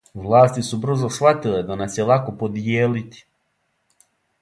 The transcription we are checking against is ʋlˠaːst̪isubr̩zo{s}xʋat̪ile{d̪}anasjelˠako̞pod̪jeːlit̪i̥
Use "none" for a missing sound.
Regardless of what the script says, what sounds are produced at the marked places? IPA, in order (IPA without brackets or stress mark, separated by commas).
s, d̪